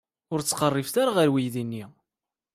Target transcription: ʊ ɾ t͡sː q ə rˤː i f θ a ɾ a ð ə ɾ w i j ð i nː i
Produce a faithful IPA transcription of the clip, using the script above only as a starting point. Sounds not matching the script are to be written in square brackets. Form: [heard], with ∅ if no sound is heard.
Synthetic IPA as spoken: ʊ ɾ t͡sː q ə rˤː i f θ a ɾ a [ʁ] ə ɾ w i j ð i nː i